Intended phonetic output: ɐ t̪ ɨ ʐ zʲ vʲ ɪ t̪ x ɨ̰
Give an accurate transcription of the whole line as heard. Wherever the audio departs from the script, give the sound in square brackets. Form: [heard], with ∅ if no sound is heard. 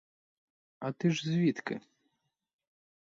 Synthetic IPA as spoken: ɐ t̪ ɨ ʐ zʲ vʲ [i] t̪ [k] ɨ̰